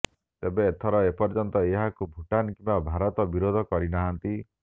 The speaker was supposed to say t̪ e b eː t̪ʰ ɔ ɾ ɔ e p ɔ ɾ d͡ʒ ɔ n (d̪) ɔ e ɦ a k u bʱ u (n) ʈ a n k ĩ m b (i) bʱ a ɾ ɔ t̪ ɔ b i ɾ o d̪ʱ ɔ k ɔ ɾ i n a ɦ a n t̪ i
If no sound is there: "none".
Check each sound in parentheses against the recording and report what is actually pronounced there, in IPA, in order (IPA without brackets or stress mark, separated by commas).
t̪, none, a